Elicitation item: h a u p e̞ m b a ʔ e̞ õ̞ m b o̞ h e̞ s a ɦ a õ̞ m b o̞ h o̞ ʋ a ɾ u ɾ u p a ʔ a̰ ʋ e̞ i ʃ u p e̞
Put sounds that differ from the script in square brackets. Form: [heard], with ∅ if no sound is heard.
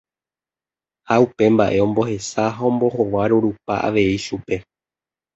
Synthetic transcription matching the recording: h a u p e̞ m b a ʔ e̞ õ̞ m b o̞ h e̞ s a ɦ a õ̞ m b o̞ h o̞ ʋ a ɾ u ɾ u p a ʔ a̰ ʋ e̞ i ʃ u p e̞